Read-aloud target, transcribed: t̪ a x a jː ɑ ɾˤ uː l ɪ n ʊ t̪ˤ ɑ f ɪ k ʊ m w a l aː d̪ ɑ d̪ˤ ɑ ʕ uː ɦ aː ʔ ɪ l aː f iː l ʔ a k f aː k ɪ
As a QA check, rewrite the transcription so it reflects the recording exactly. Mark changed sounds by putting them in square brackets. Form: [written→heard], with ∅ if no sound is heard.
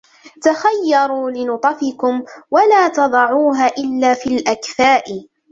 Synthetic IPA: t̪ a x a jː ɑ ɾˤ uː l ɪ n ʊ t̪ˤ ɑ f ɪ k ʊ m w a l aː [d̪→t̪] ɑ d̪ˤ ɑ ʕ uː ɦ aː ʔ ɪ [l→lː] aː f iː l ʔ a k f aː [k→ʔ] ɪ